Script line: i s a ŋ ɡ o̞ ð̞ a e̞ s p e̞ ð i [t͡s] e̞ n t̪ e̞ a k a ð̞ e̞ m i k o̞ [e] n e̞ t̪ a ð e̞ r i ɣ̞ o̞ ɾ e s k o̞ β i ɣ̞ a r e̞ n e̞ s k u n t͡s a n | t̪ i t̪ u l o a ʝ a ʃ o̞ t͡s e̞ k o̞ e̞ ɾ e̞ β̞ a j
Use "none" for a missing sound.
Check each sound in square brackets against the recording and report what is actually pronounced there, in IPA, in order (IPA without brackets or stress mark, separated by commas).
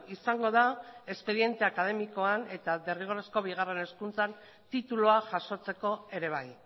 none, a